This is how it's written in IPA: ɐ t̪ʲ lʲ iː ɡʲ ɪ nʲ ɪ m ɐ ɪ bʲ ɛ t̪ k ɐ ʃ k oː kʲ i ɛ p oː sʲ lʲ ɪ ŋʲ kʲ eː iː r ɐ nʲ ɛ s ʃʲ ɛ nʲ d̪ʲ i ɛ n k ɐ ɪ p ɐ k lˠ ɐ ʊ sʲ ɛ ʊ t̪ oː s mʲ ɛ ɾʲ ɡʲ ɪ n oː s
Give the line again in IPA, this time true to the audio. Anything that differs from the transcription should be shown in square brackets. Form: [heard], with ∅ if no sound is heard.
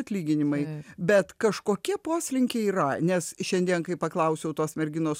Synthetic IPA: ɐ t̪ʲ lʲ iː ɡʲ ɪ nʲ ɪ m ɐ ɪ bʲ ɛ t̪ k ɐ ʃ k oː kʲ i ɛ p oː sʲ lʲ ɪ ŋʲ kʲ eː iː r ɐ nʲ ɛ s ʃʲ ɛ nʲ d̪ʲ i ɛ n k ɐ ɪ p ɐ k lˠ ɐ ʊ sʲ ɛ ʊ t̪ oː s mʲ ɛ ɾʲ ɡʲ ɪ n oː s